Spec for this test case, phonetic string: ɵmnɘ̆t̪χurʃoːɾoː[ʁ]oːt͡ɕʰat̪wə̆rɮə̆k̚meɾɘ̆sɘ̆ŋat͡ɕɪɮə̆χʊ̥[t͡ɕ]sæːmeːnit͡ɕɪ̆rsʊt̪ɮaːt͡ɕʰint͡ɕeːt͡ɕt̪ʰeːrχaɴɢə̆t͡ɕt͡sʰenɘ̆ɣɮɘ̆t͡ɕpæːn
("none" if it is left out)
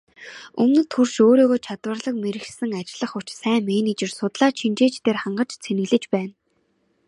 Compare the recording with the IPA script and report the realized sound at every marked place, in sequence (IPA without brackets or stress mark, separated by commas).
ɣ, t͡ɕ